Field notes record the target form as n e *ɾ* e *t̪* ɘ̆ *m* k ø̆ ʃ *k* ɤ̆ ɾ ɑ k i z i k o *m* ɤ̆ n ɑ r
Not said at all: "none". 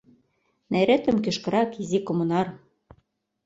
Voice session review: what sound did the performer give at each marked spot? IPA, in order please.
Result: ɾ, t̪, m, k, m

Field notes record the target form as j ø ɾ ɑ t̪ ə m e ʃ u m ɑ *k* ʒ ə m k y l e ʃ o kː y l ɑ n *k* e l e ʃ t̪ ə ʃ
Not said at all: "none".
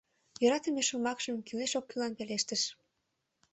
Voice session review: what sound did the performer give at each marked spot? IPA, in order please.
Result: k, p

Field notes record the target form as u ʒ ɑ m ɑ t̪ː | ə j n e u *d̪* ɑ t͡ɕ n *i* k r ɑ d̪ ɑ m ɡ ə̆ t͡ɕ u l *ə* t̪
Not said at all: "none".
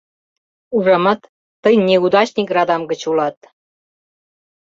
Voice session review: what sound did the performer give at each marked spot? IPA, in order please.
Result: d̪, i, ɑ

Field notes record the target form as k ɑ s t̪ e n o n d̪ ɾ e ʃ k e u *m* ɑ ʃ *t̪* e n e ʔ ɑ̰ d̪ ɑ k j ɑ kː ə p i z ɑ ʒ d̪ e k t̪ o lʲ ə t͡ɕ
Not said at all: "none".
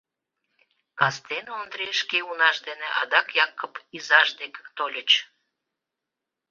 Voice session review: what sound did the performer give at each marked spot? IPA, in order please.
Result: n, d̪

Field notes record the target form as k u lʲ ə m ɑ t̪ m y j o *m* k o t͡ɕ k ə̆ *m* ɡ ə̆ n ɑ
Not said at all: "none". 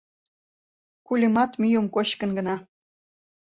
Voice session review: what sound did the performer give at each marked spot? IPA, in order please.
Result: m, n

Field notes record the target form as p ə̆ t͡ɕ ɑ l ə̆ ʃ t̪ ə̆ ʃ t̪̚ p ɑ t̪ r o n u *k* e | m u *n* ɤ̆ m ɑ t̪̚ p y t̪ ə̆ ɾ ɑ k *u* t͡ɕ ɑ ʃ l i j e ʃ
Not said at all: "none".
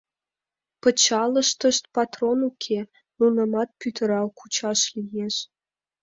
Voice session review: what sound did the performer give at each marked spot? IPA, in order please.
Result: kʰ, n, u

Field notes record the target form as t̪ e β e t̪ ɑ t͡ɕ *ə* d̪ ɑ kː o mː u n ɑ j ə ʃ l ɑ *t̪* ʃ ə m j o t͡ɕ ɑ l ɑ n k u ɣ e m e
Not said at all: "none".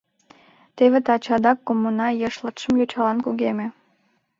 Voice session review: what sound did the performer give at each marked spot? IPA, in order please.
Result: ɑ, t̪

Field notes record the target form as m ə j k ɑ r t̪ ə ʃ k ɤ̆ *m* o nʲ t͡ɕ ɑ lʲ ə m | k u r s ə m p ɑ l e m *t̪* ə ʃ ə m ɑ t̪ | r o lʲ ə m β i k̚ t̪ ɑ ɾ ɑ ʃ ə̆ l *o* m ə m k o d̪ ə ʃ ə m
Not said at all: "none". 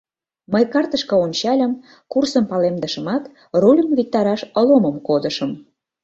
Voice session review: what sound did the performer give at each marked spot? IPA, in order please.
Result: none, d̪, o

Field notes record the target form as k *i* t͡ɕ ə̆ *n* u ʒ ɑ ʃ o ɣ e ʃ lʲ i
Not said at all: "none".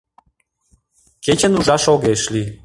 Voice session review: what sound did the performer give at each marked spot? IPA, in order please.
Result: e, n

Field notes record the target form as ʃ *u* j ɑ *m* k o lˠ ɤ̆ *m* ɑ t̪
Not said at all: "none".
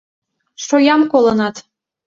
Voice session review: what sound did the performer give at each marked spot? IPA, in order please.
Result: o, m, n

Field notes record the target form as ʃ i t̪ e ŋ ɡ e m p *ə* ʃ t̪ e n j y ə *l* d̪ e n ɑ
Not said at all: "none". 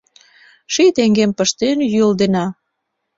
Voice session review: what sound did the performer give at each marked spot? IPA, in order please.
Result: ə, l

